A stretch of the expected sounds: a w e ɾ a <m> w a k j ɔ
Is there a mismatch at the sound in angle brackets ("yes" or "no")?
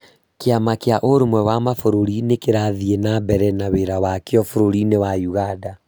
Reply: yes